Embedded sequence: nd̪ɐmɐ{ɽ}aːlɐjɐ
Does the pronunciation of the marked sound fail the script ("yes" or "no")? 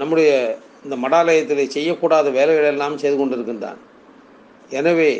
no